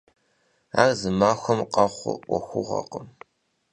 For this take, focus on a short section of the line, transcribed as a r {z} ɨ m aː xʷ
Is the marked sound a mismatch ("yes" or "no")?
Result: no